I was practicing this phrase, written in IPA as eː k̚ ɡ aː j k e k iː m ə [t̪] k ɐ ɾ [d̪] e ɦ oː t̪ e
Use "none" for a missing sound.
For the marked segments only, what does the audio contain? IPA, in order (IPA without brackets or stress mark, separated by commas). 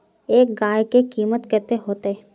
t̪, t̪